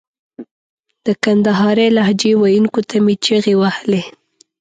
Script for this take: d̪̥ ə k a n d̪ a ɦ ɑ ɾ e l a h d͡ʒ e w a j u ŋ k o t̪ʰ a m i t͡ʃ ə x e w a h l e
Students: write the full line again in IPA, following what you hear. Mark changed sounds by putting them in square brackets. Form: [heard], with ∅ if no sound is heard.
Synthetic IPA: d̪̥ ə k a n d̪ a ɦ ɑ ɾ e l a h d͡ʒ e w a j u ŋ k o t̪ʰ a m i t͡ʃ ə [ɣ] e w a h l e

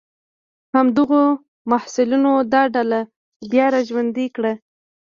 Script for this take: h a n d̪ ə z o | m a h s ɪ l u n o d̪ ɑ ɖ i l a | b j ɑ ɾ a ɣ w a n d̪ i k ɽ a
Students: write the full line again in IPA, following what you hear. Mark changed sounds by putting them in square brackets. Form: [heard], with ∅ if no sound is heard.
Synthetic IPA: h a [m] d̪ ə [ɣ] o | m a h s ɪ l u n o d̪ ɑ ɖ [a] l a | b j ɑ ɾ a [ʒ] w a n d̪ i k ɽ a

